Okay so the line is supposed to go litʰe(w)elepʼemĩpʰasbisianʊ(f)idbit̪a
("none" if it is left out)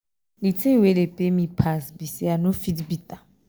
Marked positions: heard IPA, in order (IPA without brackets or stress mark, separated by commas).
w, f